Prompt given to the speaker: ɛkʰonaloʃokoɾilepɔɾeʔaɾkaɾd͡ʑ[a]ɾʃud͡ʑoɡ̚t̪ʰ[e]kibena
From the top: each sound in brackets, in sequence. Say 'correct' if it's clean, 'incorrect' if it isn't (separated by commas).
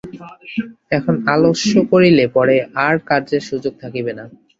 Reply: incorrect, incorrect